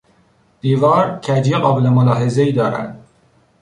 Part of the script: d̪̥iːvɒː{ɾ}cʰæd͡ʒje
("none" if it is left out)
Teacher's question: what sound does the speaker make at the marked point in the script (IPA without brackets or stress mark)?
ɾ